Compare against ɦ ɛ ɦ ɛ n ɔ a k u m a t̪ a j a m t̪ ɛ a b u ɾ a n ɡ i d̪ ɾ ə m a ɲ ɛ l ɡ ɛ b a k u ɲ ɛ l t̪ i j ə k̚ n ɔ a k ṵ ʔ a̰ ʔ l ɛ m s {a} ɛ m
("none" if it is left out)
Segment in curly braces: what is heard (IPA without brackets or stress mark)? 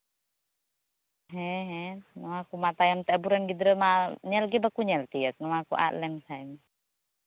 a